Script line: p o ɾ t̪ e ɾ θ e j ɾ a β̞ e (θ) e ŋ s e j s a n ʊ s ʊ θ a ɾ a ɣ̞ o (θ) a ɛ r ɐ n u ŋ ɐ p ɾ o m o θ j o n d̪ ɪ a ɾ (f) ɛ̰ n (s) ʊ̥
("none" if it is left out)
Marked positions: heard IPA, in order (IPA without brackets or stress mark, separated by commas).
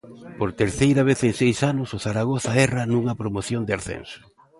θ, θ, θ, s